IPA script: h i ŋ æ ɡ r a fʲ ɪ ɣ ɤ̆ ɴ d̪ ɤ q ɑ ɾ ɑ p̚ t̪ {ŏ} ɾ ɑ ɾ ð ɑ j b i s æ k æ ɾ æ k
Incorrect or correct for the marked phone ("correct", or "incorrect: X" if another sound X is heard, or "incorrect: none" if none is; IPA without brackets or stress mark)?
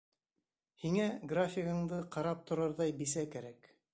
correct